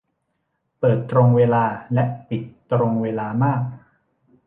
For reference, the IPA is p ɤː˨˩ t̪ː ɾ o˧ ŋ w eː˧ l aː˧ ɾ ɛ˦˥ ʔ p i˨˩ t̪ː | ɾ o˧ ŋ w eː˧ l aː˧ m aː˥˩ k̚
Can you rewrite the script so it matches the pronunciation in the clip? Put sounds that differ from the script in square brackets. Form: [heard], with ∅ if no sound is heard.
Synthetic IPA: p ɤː˨˩ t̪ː ɾ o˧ ŋ w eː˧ l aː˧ [l] ɛ˦˥ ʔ p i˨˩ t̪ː | ɾ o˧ ŋ w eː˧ l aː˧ m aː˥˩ k̚